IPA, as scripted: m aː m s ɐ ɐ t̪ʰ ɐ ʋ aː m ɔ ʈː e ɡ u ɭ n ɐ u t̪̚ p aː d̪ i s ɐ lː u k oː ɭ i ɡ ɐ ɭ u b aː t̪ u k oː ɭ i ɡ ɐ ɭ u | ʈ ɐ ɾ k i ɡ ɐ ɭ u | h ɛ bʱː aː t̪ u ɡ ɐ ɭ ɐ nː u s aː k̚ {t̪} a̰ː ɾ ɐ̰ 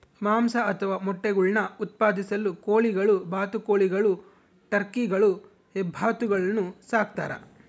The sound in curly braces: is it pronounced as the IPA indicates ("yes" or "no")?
yes